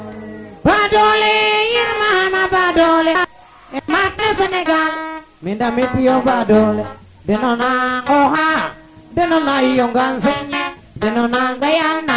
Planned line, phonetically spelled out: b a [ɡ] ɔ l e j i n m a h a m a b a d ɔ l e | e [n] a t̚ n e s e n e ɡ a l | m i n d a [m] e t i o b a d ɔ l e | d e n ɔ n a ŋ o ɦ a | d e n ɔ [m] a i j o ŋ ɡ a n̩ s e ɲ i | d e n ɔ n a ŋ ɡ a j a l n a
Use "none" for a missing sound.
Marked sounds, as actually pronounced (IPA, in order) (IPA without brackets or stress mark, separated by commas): d, m, m, n